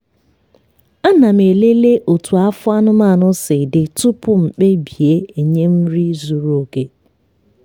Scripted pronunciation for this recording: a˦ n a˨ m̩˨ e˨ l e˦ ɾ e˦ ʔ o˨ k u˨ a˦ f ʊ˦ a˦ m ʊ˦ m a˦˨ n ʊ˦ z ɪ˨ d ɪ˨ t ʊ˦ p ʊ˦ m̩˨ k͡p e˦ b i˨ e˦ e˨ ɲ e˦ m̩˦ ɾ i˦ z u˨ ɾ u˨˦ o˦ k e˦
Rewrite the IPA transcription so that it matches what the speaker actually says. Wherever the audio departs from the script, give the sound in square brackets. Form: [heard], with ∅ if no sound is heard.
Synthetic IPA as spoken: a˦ n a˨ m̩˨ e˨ l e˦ [l] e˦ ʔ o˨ [t] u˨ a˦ f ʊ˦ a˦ [n] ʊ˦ m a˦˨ n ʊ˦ [s] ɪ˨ d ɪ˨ t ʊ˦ p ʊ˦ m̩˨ k͡p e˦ b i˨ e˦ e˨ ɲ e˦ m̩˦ ɾ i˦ z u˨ ɾ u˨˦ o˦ k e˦